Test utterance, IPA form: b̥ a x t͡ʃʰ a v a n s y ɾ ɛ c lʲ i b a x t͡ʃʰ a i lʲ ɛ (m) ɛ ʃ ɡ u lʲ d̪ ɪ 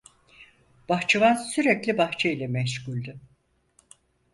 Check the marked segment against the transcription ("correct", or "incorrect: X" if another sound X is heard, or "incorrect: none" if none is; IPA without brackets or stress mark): correct